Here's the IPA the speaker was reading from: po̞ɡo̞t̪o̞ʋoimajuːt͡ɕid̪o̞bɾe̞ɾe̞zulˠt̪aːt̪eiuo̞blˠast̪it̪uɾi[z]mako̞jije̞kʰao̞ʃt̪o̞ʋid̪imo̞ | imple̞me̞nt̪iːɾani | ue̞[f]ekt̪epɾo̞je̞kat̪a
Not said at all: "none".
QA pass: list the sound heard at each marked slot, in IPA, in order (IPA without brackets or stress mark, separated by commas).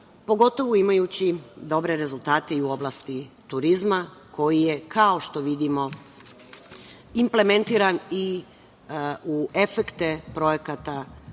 z, f